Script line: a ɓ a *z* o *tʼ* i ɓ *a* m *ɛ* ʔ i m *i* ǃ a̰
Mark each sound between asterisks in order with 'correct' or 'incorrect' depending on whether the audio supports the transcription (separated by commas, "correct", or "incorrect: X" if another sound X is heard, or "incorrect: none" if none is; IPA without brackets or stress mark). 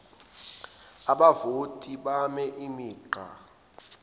incorrect: v, correct, correct, correct, incorrect: iː